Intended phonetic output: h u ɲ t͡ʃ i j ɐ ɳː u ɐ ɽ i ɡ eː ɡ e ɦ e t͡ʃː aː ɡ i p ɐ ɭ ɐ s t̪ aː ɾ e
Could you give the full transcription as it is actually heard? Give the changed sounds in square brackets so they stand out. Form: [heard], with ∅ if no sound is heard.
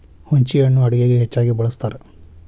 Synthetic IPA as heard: h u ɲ t͡ʃ i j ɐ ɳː u ɐ ɽ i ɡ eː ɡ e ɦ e t͡ʃː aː ɡ i [b] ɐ ɭ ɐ s t̪ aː ɾ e